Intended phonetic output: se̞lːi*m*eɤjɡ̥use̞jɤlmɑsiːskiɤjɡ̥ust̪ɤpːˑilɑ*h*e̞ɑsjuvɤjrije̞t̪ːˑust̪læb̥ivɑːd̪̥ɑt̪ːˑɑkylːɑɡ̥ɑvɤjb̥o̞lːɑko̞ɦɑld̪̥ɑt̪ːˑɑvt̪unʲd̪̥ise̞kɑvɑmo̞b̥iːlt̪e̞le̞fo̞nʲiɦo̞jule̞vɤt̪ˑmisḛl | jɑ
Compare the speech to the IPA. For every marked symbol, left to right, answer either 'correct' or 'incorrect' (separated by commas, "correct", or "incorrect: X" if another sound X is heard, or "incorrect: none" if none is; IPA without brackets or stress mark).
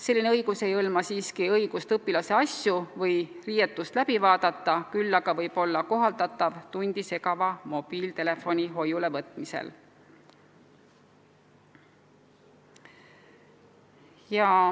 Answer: incorrect: n, incorrect: s